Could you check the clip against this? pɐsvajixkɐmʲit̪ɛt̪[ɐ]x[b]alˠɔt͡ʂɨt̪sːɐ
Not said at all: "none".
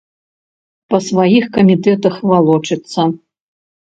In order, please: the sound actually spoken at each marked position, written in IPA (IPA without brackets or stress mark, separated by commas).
ɐ, v